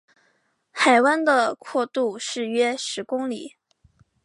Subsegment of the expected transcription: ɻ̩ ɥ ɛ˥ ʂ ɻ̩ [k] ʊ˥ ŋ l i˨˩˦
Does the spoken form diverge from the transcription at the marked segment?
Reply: no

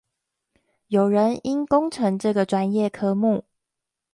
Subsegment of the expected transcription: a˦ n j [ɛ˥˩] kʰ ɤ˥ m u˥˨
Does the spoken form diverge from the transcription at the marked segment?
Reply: no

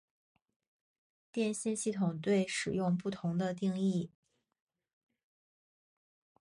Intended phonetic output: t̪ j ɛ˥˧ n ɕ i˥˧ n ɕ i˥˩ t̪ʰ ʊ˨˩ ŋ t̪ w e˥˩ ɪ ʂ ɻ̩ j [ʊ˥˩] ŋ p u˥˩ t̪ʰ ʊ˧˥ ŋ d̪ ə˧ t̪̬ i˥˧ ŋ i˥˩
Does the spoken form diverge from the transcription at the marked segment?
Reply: yes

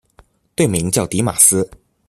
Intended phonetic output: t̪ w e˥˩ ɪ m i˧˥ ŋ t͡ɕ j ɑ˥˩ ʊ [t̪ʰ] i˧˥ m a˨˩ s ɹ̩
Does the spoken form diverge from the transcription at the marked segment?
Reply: yes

